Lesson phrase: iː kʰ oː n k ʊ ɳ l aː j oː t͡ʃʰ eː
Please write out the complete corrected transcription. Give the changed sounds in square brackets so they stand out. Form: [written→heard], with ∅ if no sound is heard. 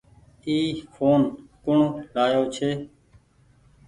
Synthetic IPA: iː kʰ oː n k ʊ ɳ l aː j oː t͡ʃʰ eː